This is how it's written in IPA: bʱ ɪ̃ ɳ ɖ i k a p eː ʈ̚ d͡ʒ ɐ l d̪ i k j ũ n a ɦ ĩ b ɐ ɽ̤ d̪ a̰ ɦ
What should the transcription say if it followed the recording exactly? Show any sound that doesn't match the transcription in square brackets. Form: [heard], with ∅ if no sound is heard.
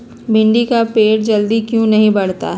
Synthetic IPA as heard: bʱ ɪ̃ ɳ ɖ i k a p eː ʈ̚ d͡ʒ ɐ l d̪ i k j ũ n [ɐ] ɦ ĩ b ɐ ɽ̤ [t̪] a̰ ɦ